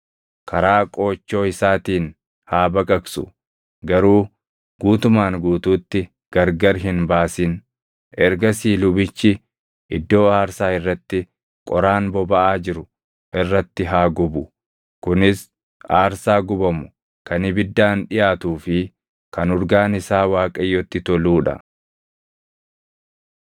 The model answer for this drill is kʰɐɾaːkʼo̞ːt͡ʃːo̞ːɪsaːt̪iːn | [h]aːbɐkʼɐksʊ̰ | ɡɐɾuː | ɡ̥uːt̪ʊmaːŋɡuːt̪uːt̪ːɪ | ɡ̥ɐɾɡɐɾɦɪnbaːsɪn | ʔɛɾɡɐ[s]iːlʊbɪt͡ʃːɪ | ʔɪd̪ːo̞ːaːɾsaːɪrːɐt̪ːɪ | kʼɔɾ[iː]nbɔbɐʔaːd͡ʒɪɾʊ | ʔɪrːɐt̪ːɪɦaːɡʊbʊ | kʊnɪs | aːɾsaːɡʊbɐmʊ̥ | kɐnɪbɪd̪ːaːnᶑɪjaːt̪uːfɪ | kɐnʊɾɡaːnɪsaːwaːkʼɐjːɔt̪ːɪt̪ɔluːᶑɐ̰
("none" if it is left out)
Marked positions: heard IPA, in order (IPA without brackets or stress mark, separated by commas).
h, s, aː